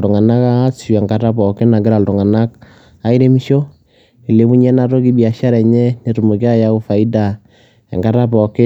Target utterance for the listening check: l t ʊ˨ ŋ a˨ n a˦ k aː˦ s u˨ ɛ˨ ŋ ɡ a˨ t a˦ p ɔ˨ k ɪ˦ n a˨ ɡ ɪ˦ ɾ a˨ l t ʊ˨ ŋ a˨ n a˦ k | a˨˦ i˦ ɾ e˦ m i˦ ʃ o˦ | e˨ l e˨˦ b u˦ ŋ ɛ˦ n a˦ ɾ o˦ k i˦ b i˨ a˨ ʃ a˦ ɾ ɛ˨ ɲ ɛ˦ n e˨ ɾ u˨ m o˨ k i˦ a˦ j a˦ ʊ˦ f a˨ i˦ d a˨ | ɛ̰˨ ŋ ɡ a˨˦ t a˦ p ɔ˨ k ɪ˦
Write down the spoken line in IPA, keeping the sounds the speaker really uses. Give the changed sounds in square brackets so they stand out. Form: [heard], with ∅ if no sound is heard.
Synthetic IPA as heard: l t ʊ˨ ŋ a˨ n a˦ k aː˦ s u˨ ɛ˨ ŋ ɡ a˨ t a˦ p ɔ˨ k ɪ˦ n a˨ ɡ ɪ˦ ɾ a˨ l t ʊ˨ ŋ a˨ n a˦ k | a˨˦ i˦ ɾ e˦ m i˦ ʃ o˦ | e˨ l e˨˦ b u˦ [ɲ] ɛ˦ n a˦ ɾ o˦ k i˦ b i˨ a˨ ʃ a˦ ɾ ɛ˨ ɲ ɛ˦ n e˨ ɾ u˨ m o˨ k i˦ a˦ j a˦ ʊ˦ f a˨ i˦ d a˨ | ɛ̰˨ ŋ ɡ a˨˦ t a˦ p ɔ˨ k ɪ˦

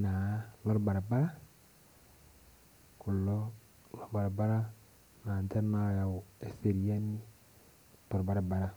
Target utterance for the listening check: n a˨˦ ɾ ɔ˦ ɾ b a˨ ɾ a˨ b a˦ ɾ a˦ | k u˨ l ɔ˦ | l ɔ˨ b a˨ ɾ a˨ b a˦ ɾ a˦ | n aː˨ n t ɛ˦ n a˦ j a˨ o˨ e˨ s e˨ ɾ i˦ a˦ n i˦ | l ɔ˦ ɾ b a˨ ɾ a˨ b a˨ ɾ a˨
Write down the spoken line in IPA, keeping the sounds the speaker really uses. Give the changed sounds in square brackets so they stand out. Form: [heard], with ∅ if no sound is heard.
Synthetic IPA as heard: n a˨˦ [l] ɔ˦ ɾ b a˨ ɾ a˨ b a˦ ɾ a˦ | k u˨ l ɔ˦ | l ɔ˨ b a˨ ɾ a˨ b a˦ ɾ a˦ | n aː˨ n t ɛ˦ n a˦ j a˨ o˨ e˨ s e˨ ɾ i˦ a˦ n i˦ | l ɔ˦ ɾ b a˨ ɾ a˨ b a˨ ɾ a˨

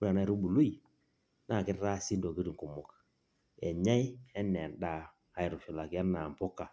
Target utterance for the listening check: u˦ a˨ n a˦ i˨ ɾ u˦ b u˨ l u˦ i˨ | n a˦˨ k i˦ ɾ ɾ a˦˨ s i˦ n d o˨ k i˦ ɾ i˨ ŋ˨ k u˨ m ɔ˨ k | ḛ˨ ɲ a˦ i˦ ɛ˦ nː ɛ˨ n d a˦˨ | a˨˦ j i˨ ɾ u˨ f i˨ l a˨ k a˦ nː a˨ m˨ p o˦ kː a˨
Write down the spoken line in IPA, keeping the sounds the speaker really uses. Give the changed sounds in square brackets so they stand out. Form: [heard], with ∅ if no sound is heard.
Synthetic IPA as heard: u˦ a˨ n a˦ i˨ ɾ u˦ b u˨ l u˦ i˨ | n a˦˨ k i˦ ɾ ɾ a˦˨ s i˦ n d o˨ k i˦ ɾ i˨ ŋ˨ k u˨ m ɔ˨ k | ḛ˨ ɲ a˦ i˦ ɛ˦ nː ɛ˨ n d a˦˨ | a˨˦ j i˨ ɾ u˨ f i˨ l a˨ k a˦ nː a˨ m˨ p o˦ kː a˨

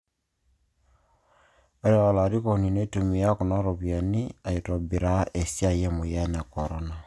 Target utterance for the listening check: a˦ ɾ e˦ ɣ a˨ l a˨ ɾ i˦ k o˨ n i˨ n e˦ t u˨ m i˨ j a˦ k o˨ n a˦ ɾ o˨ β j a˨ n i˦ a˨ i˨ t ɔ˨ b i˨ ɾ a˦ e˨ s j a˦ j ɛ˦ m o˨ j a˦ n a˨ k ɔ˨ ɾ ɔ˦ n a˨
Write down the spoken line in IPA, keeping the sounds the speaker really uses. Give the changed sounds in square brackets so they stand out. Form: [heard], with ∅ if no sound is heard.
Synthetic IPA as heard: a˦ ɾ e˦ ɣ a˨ l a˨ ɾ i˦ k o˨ n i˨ n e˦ t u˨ m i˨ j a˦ k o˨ n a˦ ɾ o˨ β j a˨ n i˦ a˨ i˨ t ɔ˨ b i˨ ɾ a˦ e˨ s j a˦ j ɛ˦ m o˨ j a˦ n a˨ k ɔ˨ ɾ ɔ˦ n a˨

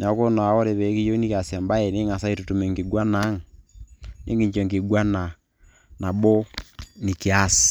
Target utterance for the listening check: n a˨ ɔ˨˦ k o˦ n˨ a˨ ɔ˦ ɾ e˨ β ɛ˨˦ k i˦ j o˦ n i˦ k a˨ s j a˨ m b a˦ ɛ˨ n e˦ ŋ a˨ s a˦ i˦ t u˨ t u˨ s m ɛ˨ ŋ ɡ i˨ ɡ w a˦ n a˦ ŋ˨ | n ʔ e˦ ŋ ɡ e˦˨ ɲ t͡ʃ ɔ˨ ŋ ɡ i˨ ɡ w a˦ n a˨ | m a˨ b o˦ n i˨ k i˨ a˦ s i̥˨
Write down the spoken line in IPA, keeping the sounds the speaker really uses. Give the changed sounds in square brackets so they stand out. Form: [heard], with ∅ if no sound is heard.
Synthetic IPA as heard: n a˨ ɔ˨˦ k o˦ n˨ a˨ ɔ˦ ɾ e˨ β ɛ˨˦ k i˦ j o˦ n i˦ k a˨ s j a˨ m b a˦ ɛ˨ n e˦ ŋ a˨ s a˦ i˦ t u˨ t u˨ [∅] m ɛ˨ ŋ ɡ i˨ ɡ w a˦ n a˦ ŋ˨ | n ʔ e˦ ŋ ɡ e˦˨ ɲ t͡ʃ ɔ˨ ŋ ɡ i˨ ɡ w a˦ n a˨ | [n] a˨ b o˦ n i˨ k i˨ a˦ s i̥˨

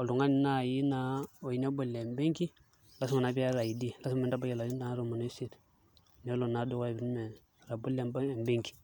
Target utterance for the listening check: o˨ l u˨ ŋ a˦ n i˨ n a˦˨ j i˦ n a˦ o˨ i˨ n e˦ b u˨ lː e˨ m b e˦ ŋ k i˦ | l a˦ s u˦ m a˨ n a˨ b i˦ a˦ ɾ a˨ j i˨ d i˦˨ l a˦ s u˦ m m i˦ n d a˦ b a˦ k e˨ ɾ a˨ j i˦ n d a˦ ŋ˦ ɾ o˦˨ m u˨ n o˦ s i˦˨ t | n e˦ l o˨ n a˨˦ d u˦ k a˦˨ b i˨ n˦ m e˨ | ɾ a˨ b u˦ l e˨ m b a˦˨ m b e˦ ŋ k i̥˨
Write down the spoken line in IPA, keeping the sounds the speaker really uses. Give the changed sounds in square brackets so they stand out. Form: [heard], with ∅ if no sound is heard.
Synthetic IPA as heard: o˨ l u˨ ŋ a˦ n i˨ n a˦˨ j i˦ n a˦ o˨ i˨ n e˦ b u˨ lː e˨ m b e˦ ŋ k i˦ | l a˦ s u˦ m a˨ n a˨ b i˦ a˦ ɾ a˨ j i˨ d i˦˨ l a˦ s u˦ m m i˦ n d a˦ b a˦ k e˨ [l] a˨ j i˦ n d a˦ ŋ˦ ɾ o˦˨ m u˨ n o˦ s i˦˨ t | n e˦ l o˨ n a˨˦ d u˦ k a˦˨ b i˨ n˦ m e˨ | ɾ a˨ b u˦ l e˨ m b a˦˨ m b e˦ ŋ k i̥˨

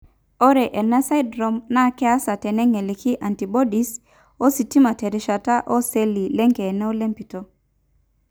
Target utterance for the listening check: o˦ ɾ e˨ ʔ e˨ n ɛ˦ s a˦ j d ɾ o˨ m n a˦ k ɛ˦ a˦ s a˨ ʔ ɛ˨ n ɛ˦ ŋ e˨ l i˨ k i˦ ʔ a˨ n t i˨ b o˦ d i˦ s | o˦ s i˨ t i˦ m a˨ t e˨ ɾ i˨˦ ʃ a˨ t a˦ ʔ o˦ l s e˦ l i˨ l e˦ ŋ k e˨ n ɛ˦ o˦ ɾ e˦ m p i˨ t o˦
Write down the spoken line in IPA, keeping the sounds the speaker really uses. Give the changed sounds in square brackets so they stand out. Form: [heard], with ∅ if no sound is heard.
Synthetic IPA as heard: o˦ ɾ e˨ ʔ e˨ n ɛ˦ s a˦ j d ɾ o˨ m n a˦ k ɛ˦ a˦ s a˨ [t] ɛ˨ n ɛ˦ ŋ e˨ l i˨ k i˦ ʔ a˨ n t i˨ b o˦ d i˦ s | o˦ s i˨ t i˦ m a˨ t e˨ ɾ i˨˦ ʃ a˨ t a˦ ʔ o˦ [∅] s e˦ l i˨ l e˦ ŋ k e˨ n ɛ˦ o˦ [l] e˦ m p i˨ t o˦

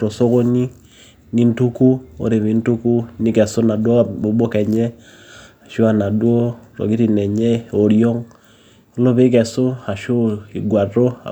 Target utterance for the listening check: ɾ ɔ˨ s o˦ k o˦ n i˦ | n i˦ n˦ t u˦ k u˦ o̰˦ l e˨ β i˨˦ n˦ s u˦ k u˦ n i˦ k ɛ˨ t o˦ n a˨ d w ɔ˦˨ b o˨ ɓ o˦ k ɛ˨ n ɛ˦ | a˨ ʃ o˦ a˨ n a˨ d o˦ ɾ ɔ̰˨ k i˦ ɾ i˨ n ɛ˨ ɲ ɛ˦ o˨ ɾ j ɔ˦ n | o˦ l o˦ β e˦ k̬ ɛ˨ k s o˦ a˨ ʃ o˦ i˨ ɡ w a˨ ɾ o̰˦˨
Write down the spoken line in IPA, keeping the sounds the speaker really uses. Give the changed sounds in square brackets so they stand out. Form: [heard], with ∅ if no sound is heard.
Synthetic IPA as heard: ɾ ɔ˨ s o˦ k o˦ n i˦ | n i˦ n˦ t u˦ k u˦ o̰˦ [ɾ] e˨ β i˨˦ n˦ [t] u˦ k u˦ n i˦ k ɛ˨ [s] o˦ n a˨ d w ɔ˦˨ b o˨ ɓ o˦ k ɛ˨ [ɲ] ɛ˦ | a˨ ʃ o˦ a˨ n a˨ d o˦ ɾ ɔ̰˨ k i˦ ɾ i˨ n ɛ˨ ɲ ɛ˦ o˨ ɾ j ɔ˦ [ŋ] | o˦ l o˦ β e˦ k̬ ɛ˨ [∅] s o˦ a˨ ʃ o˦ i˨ ɡ w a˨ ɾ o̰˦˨

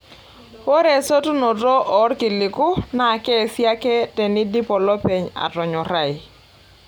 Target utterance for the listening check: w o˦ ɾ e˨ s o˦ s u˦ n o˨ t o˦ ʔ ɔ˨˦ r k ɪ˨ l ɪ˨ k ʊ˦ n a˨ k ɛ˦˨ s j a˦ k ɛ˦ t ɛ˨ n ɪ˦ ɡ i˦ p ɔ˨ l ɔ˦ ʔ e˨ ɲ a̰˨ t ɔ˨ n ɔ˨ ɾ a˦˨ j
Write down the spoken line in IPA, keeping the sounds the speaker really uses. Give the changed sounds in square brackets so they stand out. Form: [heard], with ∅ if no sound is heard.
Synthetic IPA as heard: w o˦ ɾ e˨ s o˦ [t] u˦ n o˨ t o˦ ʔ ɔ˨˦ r k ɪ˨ l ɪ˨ k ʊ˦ n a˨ k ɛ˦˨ s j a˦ k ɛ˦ t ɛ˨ n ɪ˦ [d] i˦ p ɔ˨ l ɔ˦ [p] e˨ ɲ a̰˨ t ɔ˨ [ɲ] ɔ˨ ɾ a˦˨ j

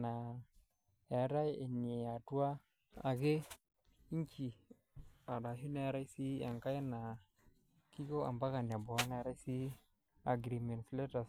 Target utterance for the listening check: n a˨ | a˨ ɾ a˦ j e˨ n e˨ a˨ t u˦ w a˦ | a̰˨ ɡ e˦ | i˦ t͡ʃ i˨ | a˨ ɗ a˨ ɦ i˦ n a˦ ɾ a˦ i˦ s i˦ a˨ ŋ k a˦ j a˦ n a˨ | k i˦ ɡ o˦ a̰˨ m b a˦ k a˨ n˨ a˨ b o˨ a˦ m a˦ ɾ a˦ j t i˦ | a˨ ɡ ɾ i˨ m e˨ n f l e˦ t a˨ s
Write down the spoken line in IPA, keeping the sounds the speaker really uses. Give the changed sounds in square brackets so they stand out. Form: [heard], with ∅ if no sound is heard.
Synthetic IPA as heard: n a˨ | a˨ ɾ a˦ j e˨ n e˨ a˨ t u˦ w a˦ | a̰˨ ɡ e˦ | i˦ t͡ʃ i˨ | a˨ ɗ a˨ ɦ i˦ n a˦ ɾ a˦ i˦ s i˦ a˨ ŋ k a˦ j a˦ n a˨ | k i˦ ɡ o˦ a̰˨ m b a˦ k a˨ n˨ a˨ b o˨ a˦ [n] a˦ ɾ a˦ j [s] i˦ | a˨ ɡ ɾ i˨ m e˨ n f l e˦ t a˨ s

